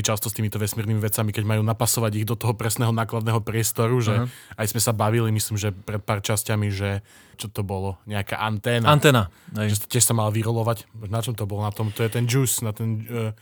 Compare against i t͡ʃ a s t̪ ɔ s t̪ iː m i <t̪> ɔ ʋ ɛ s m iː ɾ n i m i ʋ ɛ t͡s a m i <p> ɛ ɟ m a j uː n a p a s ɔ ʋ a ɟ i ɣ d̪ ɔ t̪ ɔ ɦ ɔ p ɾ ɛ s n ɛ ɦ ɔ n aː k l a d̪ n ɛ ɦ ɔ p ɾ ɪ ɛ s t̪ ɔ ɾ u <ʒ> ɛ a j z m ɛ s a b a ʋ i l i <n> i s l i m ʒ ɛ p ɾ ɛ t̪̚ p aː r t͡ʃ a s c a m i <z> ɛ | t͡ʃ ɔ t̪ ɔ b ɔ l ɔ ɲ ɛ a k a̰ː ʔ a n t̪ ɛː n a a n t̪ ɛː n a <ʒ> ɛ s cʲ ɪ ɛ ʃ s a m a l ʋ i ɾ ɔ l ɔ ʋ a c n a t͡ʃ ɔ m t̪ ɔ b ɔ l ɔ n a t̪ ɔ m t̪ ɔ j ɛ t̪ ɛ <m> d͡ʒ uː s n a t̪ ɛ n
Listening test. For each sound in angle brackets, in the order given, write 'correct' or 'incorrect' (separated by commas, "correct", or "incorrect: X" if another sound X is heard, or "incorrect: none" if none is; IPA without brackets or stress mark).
correct, incorrect: k, correct, incorrect: m, incorrect: ʒ, correct, incorrect: n